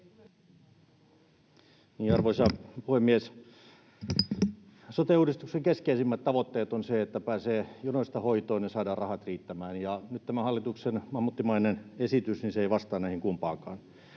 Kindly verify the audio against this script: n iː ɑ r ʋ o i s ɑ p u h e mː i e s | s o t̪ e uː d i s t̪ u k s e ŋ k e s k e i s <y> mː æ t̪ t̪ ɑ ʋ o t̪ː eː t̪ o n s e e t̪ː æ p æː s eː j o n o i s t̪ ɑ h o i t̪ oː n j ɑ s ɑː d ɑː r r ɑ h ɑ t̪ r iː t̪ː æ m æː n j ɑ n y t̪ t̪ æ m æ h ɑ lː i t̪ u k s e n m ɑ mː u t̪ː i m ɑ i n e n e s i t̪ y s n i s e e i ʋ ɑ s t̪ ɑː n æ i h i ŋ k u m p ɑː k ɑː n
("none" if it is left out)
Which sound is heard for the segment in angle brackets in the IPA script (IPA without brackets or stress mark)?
i